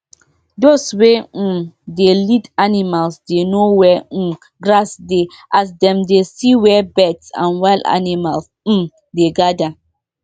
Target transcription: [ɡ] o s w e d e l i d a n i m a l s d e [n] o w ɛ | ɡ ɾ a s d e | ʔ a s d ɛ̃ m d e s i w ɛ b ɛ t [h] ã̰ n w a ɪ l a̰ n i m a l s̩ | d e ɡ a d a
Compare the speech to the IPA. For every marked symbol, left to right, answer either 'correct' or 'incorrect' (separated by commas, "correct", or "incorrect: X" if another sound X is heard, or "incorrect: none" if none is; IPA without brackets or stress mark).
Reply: incorrect: d, correct, incorrect: s